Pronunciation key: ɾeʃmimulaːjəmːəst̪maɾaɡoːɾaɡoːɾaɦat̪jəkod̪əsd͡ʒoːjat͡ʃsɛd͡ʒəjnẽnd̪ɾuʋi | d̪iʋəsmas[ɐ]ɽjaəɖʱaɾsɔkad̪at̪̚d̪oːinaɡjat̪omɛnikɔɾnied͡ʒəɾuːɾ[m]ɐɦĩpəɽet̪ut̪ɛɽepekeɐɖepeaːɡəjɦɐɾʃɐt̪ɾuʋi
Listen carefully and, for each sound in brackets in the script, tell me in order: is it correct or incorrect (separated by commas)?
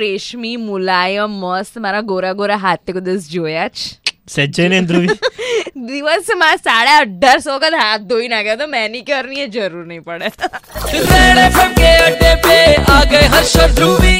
incorrect, incorrect